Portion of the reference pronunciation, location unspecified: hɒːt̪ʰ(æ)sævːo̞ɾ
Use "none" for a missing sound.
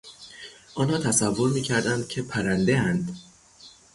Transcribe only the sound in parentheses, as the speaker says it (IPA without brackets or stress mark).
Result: æ